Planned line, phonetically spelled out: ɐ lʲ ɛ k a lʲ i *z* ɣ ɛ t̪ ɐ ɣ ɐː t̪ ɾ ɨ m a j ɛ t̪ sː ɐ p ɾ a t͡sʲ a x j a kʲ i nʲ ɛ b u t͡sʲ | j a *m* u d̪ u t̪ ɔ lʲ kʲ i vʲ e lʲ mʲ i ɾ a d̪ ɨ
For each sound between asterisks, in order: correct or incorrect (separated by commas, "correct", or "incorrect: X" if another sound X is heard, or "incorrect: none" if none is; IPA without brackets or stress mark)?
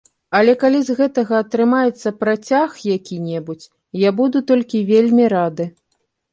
correct, incorrect: b